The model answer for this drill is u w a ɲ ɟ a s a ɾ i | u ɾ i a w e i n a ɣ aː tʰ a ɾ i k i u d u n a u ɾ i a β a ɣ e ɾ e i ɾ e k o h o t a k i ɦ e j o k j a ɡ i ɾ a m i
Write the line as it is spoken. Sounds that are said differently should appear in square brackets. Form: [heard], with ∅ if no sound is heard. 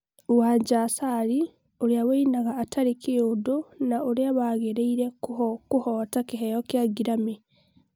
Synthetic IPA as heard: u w a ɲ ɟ a s a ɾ i | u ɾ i a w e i n a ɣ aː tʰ a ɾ i k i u d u n a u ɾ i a β a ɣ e ɾ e i ɾ e k [u] h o t a k i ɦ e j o k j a ɡ i ɾ a m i